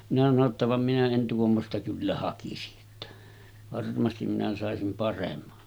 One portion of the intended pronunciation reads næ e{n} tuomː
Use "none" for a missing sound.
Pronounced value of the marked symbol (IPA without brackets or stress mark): n